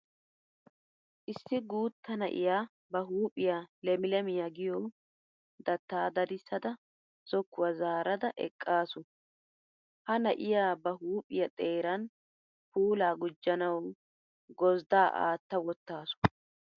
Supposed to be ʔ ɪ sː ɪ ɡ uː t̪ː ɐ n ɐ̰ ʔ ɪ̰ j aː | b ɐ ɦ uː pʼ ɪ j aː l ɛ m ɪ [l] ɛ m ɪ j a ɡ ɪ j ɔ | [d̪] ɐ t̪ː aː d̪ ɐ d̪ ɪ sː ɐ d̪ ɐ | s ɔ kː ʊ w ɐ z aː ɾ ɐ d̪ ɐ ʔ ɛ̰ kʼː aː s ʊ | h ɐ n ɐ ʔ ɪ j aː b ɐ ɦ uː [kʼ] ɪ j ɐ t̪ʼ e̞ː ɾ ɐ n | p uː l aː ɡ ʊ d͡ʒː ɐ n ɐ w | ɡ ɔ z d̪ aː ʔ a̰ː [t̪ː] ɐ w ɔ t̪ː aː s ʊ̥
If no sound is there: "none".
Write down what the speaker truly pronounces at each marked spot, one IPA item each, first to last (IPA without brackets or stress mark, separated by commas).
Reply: l, d̪, pʼ, t̪ː